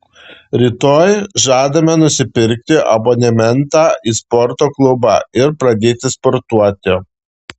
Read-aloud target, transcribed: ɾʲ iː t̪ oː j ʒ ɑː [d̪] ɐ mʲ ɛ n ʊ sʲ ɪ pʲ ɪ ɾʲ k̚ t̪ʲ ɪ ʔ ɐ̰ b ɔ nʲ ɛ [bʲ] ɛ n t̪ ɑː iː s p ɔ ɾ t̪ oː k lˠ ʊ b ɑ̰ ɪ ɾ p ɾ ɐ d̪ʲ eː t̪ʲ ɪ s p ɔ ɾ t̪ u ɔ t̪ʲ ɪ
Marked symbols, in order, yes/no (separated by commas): yes, no